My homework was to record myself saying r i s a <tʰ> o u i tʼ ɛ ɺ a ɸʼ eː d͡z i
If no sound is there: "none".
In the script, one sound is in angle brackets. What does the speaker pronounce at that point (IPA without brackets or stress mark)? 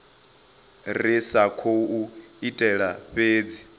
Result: kʰ